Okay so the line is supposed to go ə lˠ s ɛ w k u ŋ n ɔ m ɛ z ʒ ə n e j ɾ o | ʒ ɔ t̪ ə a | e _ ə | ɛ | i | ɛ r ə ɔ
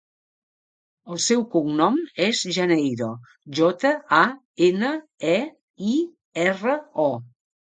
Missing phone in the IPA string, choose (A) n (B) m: A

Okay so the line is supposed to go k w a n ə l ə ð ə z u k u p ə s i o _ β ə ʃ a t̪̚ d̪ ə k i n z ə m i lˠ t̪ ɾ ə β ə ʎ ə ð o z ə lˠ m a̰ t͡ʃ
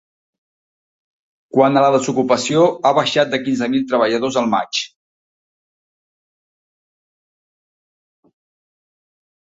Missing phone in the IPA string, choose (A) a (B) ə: A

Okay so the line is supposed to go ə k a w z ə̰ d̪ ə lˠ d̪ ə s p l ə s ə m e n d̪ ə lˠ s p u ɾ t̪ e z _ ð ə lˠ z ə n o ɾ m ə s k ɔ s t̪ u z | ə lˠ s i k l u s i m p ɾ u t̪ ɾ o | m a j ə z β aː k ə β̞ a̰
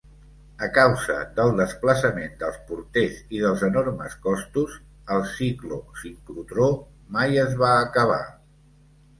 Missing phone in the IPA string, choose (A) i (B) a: A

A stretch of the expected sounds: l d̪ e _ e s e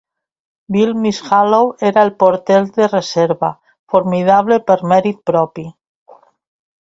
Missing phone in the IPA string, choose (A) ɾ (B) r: B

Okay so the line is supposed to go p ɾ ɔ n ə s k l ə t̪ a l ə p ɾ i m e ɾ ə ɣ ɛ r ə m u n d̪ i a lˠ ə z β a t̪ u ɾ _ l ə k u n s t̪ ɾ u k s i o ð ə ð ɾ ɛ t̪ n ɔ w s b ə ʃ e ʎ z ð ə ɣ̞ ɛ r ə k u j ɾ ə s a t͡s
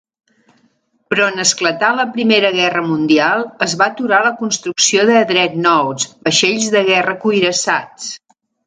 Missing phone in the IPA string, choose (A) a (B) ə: A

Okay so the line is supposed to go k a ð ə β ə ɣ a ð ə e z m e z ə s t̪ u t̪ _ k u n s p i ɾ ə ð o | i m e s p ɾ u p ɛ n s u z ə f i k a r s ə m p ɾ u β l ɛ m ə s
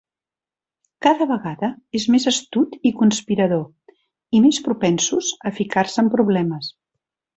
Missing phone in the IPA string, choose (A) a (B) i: B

